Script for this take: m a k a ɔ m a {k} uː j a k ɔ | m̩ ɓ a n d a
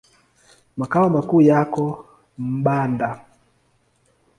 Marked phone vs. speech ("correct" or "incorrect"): correct